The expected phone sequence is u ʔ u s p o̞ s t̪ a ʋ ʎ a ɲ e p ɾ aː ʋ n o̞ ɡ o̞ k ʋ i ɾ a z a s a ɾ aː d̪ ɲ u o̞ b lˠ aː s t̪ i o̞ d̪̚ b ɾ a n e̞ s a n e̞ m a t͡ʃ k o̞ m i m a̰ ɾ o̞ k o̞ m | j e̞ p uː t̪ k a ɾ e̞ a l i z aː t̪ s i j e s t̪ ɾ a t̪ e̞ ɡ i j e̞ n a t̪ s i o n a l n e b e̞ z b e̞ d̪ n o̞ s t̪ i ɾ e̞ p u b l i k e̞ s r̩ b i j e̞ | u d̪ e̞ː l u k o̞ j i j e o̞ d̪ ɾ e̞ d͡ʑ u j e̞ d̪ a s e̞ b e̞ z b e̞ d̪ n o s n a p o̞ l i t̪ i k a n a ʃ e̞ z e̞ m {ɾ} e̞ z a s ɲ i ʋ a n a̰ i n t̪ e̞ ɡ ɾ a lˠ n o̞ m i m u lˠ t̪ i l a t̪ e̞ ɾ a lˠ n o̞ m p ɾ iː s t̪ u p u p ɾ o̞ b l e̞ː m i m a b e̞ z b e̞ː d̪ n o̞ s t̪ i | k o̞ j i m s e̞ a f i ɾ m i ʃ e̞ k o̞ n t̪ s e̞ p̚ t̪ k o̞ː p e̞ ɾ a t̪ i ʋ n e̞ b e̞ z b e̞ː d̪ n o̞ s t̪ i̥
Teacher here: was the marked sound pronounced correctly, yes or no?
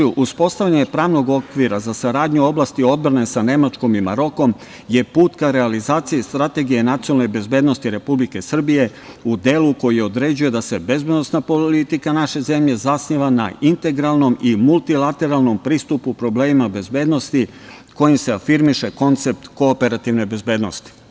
no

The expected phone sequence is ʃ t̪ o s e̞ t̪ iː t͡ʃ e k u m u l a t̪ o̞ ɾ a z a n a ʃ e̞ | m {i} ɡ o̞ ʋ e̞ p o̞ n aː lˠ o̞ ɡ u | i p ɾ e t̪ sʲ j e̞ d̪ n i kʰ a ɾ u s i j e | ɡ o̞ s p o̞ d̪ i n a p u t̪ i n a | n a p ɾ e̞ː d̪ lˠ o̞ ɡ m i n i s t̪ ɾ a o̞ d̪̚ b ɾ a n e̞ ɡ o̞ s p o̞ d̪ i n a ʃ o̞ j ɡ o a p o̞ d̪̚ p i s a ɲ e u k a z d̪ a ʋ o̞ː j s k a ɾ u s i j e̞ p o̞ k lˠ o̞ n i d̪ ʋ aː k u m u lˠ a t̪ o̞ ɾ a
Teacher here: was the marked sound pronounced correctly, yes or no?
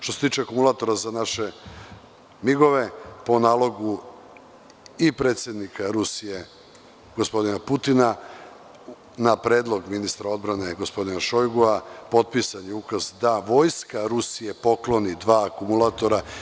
yes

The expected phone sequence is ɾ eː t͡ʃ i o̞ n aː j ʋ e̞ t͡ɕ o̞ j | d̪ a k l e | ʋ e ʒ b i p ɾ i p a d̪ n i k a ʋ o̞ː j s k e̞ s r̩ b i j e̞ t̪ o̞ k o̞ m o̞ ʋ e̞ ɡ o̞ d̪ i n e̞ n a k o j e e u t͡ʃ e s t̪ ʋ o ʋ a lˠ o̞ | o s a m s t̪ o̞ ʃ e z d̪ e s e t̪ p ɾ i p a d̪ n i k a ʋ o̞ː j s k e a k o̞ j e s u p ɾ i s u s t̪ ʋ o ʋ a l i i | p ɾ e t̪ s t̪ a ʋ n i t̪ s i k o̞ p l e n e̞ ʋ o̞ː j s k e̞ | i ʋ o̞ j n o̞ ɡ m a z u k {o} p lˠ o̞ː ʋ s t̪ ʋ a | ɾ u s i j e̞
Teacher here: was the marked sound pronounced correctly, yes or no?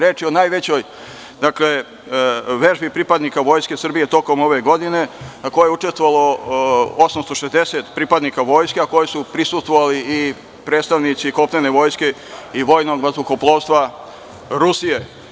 yes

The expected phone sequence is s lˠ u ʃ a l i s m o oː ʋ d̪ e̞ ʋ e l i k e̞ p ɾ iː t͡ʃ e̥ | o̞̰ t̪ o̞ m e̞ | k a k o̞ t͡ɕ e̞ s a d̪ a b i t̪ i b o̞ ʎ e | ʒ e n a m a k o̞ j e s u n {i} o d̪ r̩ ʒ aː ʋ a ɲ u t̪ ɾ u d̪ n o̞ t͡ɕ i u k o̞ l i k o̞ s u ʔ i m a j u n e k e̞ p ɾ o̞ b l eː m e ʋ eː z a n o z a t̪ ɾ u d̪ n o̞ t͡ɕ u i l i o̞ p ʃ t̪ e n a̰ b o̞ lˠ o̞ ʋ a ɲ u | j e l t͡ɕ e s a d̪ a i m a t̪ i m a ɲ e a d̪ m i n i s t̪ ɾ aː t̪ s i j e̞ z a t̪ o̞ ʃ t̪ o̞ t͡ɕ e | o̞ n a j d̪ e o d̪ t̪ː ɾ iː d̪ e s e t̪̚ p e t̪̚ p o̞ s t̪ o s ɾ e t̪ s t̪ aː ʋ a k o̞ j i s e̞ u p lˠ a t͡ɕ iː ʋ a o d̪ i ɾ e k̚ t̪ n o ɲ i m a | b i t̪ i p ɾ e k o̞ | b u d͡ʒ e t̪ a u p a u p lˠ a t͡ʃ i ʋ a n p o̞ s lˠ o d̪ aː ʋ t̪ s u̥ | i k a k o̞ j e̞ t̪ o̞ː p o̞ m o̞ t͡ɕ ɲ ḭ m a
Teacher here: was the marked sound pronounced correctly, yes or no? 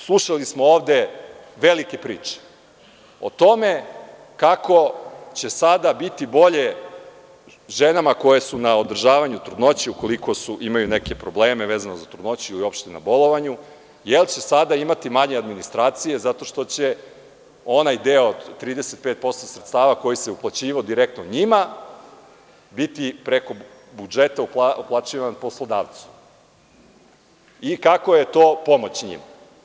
no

